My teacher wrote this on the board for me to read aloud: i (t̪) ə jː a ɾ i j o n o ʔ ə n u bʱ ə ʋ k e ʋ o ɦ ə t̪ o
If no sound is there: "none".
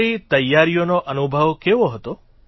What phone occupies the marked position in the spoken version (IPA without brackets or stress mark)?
t̪